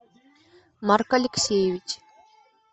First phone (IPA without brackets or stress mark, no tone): m